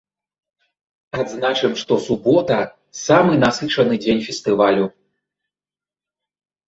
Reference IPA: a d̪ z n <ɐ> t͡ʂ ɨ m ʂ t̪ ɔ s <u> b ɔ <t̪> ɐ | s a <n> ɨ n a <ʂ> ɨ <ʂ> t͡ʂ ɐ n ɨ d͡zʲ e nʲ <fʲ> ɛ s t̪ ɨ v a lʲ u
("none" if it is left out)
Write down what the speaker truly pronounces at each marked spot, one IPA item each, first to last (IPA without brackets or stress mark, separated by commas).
a, u, t̪, m, s, none, fʲ